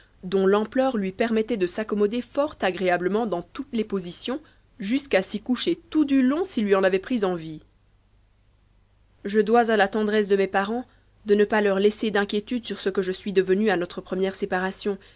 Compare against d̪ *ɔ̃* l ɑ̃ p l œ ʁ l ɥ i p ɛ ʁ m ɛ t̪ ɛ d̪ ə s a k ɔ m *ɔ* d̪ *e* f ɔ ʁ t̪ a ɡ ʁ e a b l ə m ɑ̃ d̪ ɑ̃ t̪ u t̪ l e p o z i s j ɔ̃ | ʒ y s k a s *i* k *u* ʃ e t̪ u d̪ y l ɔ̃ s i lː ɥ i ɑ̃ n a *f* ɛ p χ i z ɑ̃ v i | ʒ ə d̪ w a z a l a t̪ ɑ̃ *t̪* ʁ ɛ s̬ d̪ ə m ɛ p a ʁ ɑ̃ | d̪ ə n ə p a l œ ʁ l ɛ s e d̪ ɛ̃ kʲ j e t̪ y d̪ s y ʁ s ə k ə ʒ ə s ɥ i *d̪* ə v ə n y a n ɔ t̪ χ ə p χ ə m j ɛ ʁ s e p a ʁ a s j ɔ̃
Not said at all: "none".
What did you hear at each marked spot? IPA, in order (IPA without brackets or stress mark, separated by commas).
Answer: ɔ̃, ɔ, e, i, u, v, d̪, d̪